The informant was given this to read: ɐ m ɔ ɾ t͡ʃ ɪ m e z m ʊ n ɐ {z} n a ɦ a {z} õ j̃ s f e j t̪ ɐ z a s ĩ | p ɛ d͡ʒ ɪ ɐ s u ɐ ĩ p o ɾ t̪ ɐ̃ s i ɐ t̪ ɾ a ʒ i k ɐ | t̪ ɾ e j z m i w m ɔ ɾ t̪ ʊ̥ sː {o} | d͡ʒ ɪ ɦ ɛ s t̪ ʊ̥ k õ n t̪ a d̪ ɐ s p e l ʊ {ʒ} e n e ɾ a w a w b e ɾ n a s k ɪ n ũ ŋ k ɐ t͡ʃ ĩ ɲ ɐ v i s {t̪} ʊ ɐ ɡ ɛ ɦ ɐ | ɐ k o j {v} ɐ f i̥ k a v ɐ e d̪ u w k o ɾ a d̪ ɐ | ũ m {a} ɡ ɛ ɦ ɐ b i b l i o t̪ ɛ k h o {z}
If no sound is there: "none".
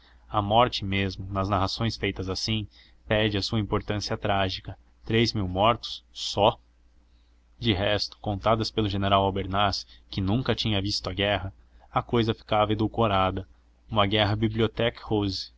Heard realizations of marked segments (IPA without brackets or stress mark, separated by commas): z, s, ɔ, ʒ, t̪, z, ɐ, z